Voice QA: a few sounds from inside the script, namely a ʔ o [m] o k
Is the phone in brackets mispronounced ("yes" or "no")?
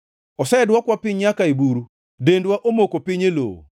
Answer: no